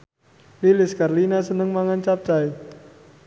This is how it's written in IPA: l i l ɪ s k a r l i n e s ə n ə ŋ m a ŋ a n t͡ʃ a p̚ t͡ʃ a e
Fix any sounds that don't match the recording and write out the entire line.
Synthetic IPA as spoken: l i l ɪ s k a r l i n a s ə n ə ŋ m a ŋ a n t͡ʃ a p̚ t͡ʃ a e